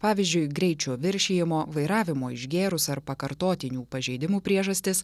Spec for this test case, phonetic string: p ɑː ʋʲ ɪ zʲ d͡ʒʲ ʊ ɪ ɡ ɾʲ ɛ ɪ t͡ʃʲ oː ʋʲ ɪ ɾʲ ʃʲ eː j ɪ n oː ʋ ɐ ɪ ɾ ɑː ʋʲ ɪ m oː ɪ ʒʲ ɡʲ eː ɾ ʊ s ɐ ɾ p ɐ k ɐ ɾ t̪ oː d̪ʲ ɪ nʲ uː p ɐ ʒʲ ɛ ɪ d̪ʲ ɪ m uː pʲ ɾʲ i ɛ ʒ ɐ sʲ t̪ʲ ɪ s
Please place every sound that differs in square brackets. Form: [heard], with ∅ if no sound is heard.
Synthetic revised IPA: p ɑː ʋʲ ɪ zʲ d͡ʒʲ ʊ ɪ ɡ ɾʲ ɛ ɪ t͡ʃʲ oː ʋʲ ɪ ɾʲ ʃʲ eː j ɪ [m] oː ʋ ɐ ɪ ɾ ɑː ʋʲ ɪ m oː ɪ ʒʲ ɡʲ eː ɾ ʊ s ɐ ɾ p ɐ k ɐ ɾ t̪ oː [t̪ʲ] ɪ nʲ uː p ɐ ʒʲ ɛ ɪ d̪ʲ ɪ m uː pʲ ɾʲ i ɛ ʒ ɐ sʲ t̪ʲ ɪ s